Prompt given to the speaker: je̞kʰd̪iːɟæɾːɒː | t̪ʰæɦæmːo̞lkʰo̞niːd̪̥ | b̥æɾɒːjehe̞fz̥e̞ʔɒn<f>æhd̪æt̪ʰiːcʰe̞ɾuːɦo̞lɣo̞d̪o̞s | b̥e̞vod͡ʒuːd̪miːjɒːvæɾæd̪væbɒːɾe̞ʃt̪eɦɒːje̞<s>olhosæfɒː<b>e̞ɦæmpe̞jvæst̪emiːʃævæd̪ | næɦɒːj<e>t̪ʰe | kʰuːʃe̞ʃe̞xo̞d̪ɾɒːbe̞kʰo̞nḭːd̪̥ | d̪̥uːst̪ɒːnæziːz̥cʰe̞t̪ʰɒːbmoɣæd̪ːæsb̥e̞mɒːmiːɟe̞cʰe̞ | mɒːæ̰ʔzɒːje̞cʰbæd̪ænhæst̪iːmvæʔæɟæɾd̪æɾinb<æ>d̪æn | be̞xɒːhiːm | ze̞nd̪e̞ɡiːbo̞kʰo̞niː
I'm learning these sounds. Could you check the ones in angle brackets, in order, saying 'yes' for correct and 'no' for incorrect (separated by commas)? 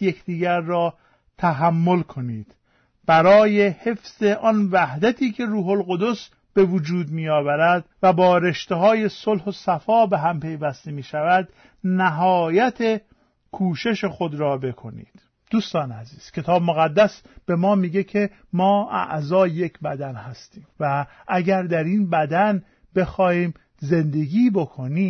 no, yes, yes, no, yes